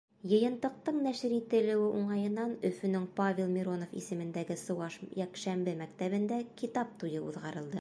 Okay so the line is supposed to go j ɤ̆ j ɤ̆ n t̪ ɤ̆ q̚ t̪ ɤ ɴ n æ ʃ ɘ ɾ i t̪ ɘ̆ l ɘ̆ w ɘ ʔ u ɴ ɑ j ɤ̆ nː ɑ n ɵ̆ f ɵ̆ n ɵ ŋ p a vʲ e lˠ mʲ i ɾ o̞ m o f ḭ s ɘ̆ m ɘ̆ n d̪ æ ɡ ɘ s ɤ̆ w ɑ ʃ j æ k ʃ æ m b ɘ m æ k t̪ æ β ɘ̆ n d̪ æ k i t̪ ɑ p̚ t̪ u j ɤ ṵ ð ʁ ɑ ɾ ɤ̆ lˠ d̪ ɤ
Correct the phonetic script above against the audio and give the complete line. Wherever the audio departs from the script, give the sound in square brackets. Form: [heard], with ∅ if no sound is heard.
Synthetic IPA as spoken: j ɤ̆ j ɤ̆ n t̪ ɤ̆ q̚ t̪ ɤ ɴ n æ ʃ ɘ ɾ i t̪ ɘ̆ l ɘ̆ w ɘ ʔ u ɴ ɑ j ɤ̆ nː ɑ n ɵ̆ f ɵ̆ n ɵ ŋ p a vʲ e lˠ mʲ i ɾ o̞ [n] o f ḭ s ɘ̆ m ɘ̆ n d̪ æ ɡ ɘ s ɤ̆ w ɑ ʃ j æ k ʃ æ m b ɘ m æ k t̪ æ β ɘ̆ n d̪ æ k i t̪ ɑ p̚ t̪ u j ɤ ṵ ð ʁ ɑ ɾ ɤ̆ lˠ d̪ ɤ